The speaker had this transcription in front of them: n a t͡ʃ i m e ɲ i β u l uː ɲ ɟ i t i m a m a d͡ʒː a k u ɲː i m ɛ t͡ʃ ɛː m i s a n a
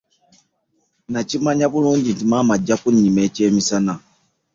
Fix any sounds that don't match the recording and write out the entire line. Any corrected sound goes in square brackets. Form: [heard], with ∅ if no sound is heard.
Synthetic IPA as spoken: n a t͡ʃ i m [a] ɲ [a] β u l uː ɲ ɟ i t i m a m a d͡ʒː a k u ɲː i m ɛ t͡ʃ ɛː m i s a n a